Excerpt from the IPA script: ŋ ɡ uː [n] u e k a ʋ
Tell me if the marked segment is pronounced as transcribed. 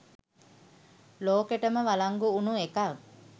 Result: yes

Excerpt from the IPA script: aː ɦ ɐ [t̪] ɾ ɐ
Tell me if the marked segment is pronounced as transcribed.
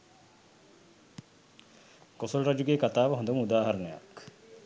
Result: no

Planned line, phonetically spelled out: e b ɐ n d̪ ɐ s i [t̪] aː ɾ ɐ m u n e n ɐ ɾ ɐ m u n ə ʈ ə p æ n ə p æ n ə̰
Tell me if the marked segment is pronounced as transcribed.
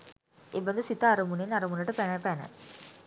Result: yes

